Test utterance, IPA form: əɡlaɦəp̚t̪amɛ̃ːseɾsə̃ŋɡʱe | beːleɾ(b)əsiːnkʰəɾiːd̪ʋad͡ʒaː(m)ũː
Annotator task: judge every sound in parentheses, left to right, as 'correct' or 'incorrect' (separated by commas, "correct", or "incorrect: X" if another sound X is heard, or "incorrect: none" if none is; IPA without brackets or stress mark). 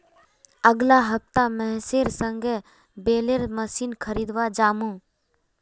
incorrect: m, correct